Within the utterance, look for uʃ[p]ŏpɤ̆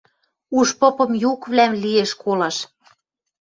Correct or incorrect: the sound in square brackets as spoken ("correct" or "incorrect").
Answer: correct